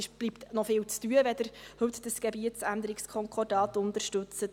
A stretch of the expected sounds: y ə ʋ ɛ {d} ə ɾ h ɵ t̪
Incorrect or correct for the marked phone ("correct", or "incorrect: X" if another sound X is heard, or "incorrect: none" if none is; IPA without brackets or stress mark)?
correct